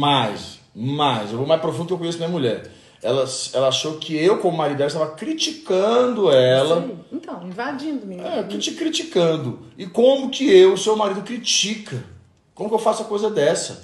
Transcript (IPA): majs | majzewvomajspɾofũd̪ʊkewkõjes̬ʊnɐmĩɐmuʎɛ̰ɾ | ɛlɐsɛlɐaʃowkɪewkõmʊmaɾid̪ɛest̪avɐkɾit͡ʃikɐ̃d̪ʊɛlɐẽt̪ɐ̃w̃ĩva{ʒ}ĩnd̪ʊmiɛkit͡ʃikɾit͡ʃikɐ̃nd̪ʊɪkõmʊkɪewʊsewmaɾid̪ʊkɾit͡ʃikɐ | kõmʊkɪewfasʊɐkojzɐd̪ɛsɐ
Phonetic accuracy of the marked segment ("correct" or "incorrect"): incorrect